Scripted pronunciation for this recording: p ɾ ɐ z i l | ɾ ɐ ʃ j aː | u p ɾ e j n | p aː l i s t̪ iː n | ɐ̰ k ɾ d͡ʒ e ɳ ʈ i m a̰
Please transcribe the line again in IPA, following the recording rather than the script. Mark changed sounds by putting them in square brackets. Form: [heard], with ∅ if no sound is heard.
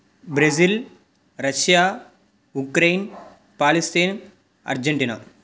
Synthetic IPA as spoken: [b] ɾ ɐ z i l | ɾ ɐ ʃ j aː | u [k] ɾ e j n | p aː l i s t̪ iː n | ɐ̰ [∅] ɾ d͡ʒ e ɳ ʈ i [n] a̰